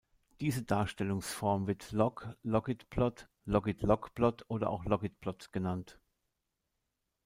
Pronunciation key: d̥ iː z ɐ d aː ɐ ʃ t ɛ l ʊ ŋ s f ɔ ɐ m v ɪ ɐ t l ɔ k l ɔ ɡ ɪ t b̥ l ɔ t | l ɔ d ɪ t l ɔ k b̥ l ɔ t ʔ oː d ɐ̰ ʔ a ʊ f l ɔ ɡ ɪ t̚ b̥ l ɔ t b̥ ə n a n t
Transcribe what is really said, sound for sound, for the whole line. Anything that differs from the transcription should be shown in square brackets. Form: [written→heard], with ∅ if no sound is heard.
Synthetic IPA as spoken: d̥ iː z [ɐ→ə] d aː ɐ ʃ t ɛ l ʊ ŋ s f ɔ ɐ m v ɪ ɐ t l ɔ k l ɔ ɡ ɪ t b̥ l ɔ t | l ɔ [d→ɡ] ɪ t l ɔ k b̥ l ɔ t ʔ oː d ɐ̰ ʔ a ʊ [f→x] l ɔ ɡ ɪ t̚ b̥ l ɔ t [b̥→ɡ̥] ə n a n t